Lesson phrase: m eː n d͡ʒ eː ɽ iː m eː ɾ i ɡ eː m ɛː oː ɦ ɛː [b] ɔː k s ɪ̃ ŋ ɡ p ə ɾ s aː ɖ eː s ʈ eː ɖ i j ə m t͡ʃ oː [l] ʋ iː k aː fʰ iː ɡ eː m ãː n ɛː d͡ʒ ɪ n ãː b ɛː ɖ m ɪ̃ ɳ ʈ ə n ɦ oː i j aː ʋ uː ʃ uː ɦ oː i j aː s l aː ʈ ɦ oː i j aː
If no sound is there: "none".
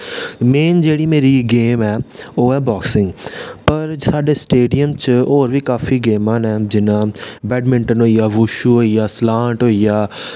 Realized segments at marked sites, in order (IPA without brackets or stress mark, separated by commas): b, ɾ